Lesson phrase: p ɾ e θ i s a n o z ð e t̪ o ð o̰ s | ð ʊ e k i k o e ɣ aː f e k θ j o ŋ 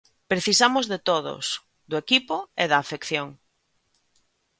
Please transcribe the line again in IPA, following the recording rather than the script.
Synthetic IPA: p ɾ e θ i s a m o z ð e t̪ o ð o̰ s | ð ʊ e k i p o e ð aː f e k θ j o ŋ